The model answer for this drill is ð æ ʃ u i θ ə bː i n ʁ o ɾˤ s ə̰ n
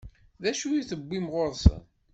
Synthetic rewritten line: ð æ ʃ u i θ ə bː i m ʁ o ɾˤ s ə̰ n

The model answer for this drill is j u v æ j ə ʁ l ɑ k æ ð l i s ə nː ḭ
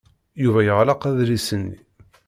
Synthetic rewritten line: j u v æ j ə ʁ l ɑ q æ ð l i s ə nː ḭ

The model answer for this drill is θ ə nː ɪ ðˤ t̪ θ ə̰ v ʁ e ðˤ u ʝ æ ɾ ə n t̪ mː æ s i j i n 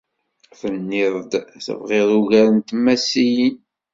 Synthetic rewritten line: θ ə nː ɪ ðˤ d̪ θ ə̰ v ʁ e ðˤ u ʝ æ ɾ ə n t̪ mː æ s i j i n

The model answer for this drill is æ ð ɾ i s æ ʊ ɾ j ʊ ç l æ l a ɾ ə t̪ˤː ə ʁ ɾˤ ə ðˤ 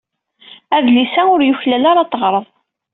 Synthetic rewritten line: æ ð l i s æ ʊ ɾ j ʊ ç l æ l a ɾ ɑ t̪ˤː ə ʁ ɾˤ ə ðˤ

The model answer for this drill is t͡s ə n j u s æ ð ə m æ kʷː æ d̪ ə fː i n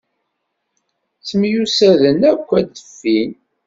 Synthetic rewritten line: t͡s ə m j u s æ ð ə n æ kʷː æ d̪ ə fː i n

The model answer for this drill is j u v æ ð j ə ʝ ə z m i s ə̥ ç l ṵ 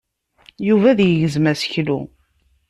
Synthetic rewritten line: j u v æ ð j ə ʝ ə z m æ s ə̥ ç l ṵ

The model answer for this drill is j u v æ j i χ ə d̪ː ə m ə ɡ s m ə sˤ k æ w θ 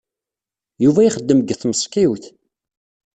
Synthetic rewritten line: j u v æ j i χ ə d̪ː ə m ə ɡ θ m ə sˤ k i w θ

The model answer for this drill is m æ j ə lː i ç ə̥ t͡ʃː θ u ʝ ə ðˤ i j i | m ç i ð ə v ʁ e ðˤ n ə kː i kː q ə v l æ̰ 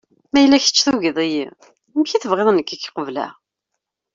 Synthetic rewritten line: m æ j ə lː æ ç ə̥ t͡ʃː θ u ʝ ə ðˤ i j i | m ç i θ ə v ʁ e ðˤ n ə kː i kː q ə v l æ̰

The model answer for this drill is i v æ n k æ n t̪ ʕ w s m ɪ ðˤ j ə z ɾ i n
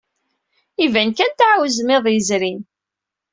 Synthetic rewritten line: i v æ n k æ n t̪ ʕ w z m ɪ ðˤ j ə z ɾ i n

